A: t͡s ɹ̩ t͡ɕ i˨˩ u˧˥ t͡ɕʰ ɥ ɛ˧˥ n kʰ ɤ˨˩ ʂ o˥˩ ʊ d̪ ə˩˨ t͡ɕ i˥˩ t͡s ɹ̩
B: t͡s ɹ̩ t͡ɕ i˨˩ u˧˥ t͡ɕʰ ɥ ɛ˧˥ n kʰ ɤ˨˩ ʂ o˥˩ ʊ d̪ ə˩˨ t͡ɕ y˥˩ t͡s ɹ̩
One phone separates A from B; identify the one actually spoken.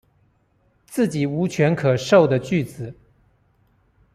B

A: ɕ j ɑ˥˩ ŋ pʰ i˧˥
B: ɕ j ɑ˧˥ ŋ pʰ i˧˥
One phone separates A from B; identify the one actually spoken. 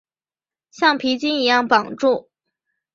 A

